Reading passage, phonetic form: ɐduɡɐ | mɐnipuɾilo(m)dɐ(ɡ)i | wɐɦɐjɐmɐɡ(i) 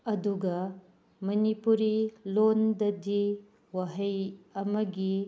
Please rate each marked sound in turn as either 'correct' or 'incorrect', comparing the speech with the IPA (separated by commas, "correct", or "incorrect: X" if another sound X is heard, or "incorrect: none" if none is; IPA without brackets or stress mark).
incorrect: n, incorrect: d, correct